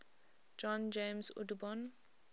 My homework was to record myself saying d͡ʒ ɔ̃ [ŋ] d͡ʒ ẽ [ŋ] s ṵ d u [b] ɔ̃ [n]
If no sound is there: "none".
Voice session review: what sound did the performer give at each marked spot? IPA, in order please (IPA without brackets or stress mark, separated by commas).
n, m, b, n